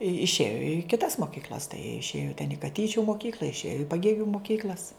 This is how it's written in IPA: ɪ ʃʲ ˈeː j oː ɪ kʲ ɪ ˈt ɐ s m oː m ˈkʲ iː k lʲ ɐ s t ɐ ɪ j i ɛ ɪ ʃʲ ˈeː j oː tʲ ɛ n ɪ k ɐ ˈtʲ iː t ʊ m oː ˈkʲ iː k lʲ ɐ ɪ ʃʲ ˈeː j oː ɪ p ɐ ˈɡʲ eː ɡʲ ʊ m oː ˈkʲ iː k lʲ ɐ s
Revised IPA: ɪ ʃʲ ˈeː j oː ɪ kʲ ɪ ˈt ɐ s m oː ˈkʲ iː k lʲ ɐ s t ɐ ɪ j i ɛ ɪ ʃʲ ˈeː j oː tʲ ɛ n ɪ k ɐ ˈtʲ iː t͡ʃʲ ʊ m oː ˈkʲ iː k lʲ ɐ ɪ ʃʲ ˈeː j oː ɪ p ɐ ˈɡʲ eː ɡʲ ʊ m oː ˈkʲ iː k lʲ ɐ s